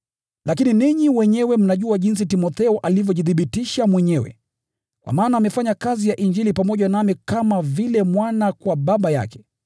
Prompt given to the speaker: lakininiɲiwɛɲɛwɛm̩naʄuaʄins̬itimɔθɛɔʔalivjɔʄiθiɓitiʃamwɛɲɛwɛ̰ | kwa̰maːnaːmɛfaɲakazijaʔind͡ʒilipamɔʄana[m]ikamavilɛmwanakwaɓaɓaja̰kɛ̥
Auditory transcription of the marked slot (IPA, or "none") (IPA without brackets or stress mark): m